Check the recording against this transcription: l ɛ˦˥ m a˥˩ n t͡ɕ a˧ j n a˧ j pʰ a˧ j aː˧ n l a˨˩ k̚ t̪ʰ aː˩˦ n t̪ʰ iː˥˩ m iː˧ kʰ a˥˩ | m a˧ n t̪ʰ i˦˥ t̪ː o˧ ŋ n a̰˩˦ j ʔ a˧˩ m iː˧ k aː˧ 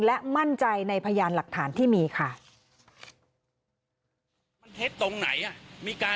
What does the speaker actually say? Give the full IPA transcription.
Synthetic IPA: l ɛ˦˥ m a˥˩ n t͡ɕ a˧ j n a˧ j pʰ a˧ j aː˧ n l a˨˩ k̚ t̪ʰ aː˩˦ n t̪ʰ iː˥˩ m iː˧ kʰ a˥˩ | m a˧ n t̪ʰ e˦˥ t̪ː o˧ ŋ n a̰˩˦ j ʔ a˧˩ m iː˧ k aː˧